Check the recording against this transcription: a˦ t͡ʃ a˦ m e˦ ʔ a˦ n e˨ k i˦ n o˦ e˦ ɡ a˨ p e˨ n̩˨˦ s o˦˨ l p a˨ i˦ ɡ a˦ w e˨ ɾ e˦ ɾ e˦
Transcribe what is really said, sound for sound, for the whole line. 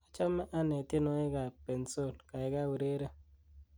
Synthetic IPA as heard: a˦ t͡ʃ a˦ m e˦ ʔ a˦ n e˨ t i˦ n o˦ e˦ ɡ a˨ p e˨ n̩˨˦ s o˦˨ l k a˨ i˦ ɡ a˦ w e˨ ɾ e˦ ɾ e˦